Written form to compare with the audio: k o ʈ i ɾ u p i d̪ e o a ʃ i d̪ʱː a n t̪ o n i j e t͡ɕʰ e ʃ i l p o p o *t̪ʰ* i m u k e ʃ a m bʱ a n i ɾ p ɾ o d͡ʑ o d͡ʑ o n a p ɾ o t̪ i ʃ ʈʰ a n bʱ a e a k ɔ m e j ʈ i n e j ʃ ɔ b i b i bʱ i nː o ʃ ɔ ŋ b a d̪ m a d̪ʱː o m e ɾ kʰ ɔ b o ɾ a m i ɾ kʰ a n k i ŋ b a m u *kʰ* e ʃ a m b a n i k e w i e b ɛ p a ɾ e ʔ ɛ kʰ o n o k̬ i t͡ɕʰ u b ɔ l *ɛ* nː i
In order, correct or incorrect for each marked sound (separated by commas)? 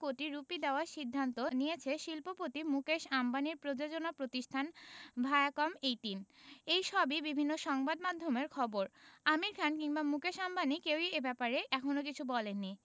incorrect, incorrect, incorrect